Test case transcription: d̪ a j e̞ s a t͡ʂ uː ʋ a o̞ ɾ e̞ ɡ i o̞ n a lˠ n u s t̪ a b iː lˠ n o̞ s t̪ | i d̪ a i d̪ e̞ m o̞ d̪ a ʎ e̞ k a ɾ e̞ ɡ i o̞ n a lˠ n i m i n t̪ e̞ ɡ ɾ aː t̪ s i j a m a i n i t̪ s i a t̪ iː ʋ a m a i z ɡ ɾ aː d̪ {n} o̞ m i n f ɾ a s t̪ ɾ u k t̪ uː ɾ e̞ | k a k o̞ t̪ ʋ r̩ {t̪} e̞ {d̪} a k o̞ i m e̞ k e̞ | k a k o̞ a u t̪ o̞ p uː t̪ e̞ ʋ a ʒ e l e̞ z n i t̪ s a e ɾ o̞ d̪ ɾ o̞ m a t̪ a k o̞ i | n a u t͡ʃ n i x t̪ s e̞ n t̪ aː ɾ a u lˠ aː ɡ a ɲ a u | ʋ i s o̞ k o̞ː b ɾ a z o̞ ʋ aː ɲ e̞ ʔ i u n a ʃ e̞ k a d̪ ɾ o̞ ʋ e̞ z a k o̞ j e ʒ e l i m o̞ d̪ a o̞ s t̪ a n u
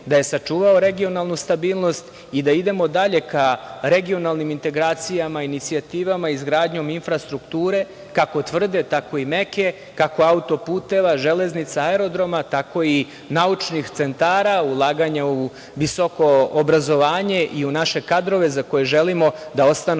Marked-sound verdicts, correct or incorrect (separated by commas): incorrect, incorrect, incorrect